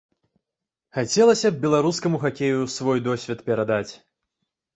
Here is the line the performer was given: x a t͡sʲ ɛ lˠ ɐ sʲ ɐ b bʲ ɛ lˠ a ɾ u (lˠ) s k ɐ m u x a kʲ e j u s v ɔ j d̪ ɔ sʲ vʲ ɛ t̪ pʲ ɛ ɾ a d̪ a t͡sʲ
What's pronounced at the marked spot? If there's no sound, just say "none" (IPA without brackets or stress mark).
none